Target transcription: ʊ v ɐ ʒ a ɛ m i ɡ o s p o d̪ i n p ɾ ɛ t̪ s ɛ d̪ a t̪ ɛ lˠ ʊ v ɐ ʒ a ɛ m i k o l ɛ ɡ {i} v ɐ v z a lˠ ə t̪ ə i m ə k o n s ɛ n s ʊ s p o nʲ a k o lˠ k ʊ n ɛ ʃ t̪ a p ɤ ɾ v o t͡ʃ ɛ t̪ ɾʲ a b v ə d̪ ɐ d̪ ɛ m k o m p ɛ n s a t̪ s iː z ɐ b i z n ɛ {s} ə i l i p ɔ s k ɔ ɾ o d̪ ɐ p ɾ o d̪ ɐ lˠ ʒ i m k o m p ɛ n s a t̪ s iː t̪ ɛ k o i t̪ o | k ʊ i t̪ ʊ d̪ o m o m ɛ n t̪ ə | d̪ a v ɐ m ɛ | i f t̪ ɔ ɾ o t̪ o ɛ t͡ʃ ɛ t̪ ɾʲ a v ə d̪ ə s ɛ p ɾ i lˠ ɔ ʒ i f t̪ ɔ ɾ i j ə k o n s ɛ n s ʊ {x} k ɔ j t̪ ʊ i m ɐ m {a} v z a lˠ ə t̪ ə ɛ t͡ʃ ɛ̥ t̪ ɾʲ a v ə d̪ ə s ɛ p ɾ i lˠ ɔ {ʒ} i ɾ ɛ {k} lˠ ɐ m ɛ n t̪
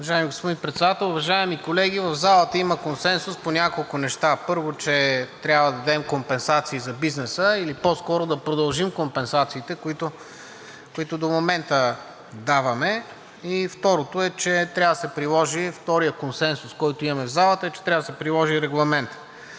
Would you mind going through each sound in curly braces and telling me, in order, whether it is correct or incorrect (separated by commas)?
correct, correct, incorrect, incorrect, correct, incorrect